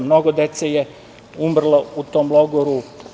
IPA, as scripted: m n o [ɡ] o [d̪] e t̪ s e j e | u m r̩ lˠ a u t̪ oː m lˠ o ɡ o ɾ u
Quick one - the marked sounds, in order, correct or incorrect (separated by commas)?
correct, correct